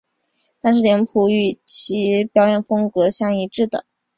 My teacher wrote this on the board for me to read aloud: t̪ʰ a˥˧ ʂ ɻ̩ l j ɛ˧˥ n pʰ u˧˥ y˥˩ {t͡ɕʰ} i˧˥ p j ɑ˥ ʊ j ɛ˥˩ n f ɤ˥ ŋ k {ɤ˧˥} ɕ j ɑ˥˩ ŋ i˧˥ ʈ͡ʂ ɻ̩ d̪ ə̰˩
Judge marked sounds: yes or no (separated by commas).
yes, yes